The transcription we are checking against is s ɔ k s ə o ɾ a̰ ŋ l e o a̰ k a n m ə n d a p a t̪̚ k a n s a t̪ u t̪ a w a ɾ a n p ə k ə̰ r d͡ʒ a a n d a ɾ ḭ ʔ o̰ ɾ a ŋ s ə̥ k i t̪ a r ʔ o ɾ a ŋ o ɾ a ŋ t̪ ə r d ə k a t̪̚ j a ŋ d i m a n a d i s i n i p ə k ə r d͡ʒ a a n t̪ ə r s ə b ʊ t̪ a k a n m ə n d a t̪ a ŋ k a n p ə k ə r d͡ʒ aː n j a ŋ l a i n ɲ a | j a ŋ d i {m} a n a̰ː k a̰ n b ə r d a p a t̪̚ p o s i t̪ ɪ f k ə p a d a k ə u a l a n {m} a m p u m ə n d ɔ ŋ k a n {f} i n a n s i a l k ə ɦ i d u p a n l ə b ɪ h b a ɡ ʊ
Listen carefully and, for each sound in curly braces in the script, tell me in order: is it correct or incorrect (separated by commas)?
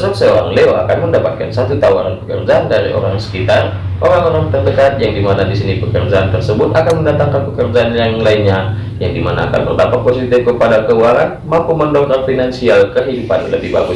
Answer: correct, correct, correct